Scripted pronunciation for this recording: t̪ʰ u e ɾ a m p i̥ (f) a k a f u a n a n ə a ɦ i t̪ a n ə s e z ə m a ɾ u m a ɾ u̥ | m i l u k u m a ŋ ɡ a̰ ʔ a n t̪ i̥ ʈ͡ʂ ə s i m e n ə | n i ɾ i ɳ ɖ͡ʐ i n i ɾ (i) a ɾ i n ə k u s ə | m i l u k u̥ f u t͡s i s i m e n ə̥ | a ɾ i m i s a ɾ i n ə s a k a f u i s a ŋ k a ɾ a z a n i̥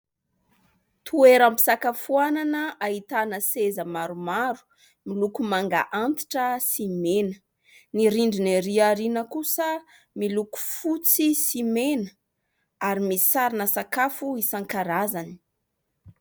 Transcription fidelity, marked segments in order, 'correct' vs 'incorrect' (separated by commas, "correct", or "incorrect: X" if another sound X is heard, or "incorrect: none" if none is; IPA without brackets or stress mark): incorrect: s, correct